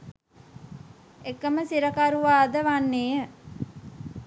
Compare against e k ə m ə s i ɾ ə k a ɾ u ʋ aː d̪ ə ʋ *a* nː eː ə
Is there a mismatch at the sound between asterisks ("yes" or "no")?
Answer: no